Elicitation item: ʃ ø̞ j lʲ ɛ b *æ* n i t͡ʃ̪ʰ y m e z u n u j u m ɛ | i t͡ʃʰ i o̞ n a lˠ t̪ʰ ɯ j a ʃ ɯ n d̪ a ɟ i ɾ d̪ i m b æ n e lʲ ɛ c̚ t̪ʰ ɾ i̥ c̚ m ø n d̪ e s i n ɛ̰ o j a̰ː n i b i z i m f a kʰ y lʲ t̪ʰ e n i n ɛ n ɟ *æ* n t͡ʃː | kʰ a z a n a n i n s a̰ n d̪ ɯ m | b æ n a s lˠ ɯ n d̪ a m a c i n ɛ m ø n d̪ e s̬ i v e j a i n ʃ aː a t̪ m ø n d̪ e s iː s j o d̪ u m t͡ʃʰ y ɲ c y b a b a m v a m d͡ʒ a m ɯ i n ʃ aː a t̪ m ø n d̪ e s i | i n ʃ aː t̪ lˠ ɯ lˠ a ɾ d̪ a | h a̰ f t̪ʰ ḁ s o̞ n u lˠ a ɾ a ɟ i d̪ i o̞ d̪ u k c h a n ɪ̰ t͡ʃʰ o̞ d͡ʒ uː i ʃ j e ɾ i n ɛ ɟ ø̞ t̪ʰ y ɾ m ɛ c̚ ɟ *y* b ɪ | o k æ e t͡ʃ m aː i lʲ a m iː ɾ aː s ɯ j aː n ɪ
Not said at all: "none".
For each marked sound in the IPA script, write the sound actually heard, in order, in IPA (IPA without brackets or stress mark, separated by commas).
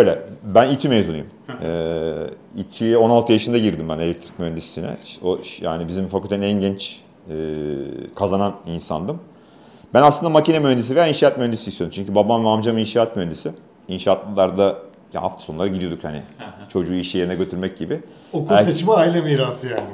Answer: æ, ɛ, i